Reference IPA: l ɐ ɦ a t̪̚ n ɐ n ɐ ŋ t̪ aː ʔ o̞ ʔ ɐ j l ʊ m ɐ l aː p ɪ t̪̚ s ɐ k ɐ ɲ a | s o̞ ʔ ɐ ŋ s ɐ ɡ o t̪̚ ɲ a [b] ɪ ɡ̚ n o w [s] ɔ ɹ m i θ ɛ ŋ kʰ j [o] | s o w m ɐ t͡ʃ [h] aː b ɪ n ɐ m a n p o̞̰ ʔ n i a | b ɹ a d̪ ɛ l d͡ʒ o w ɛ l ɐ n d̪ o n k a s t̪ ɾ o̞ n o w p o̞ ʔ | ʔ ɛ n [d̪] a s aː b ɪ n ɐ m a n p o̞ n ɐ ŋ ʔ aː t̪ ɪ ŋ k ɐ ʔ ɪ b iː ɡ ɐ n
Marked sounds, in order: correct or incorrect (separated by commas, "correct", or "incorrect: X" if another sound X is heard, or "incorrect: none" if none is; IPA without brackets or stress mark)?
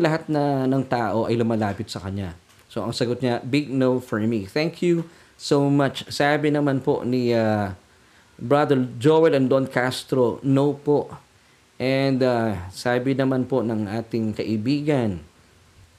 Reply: correct, incorrect: f, incorrect: u, incorrect: s, correct